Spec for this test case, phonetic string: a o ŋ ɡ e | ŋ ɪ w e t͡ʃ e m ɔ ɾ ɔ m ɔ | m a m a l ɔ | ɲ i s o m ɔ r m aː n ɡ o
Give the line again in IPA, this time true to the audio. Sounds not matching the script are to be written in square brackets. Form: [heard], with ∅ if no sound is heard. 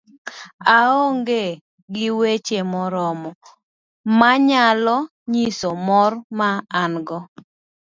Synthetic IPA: a o ŋ ɡ e | [ɡ] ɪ w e t͡ʃ e m ɔ ɾ ɔ m ɔ | m a [ɲ] a l ɔ | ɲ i s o m ɔ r m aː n ɡ [ɔ]